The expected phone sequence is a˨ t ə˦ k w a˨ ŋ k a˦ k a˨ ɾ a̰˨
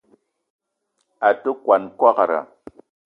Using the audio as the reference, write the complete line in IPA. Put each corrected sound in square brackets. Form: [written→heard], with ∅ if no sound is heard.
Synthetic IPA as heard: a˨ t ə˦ k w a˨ [ŋ→n] k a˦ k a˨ ɾ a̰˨